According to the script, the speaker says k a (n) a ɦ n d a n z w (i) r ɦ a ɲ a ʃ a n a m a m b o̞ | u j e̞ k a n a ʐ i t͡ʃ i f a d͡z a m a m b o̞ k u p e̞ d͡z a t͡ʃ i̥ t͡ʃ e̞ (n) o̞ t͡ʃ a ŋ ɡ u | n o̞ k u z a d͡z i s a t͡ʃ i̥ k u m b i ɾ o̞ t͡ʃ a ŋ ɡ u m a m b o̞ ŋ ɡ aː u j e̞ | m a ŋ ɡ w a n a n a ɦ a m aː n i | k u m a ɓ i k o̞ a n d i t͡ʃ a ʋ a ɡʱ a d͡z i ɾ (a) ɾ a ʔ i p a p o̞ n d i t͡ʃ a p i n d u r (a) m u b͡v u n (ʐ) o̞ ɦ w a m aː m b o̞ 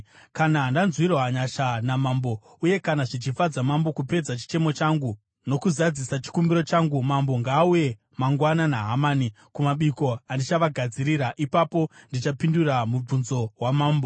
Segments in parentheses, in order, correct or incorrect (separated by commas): correct, correct, incorrect, incorrect, correct, incorrect